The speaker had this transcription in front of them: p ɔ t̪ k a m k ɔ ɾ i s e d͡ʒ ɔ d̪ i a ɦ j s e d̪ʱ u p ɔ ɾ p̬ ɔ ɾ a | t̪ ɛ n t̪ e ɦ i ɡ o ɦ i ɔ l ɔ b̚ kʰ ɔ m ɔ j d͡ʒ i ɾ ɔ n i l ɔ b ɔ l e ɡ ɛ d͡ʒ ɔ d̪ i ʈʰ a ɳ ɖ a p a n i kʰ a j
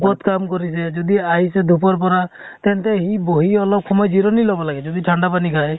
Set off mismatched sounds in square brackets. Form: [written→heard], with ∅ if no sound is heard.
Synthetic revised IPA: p ɔ t̪ k a m k ɔ ɾ i s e d͡ʒ ɔ d̪ i a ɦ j s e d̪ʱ u p ɔ ɾ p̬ ɔ ɾ a | t̪ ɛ n t̪ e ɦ i [ɡ→b] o ɦ i ɔ l ɔ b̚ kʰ ɔ m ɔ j d͡ʒ i ɾ ɔ n i l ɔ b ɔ l [e→a] ɡ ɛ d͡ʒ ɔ d̪ i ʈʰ a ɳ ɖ a p a n i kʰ a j